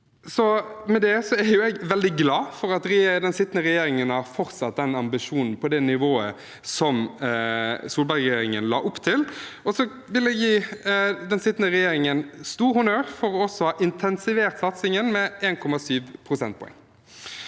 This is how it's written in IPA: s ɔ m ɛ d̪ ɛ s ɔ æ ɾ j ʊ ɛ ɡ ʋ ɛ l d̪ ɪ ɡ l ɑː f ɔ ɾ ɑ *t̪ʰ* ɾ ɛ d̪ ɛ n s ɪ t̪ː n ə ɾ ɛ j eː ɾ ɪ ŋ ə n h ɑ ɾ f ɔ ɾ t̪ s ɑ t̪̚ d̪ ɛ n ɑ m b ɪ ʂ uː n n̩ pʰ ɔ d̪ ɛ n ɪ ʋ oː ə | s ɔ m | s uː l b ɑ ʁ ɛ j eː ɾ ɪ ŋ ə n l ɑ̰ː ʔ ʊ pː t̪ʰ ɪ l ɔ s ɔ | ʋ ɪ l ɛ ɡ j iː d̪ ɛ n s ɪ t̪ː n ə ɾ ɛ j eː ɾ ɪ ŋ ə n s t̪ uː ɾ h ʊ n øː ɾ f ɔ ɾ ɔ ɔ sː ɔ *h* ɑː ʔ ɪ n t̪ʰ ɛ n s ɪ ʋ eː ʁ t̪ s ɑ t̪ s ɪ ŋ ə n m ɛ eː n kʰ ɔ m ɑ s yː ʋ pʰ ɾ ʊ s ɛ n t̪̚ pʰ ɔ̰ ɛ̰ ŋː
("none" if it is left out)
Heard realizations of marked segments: t̪, h

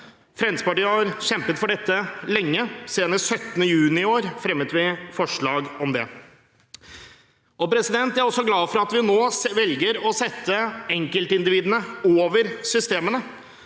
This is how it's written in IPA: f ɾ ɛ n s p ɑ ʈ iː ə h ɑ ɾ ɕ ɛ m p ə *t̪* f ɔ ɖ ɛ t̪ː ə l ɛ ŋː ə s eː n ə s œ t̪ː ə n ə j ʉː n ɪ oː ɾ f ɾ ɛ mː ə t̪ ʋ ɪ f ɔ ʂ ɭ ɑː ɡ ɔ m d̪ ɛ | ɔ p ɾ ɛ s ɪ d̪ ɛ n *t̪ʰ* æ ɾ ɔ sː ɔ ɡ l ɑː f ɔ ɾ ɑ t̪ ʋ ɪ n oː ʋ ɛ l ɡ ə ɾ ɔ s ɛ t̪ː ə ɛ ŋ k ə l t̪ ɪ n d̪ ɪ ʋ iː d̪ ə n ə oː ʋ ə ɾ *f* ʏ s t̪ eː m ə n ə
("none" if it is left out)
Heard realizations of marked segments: t̪, t̪, s

